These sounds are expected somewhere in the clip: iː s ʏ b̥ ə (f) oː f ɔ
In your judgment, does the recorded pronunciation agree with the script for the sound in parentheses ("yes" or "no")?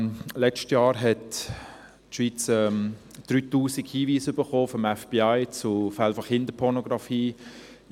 no